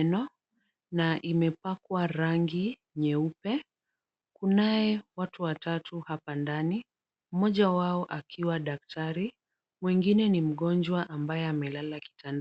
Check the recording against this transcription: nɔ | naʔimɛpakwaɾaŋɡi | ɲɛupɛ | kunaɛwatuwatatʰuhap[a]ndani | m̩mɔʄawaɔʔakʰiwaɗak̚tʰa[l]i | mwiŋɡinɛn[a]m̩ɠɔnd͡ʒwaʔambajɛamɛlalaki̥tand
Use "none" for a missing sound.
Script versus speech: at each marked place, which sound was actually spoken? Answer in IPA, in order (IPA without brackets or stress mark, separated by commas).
a, ɾ, i